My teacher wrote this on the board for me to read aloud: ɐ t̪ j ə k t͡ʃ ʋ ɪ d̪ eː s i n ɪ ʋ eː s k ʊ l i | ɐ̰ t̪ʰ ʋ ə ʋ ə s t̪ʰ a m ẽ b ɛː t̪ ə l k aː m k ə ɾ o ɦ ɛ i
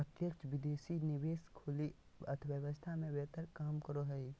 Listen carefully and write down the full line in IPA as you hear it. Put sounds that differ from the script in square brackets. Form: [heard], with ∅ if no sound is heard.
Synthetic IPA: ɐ t̪ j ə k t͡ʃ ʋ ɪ d̪ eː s i n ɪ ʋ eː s [kʰ] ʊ l i | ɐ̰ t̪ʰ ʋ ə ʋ ə s t̪ʰ a m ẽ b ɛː t̪ ə [ɾ] k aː m k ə ɾ o ɦ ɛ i